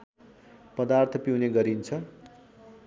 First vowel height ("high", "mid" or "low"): mid